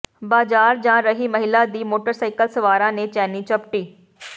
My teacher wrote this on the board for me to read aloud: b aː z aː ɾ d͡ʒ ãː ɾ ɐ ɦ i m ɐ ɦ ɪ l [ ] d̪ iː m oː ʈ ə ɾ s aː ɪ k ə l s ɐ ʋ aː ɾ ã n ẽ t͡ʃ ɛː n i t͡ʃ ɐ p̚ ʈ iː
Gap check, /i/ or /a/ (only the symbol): a